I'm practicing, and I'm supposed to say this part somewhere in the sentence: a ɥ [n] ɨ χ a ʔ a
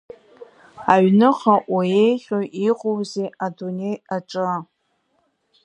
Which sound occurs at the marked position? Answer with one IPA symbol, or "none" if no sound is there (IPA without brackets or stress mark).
n